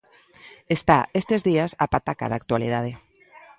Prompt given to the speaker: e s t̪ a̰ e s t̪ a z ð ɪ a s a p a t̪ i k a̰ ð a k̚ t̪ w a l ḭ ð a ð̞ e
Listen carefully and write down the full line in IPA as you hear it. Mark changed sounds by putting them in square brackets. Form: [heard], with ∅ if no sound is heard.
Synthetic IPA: e s t̪ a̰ e s t̪ [e] z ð [i] a s a p a t̪ [a] k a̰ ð a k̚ t̪ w a l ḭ ð a ð̞ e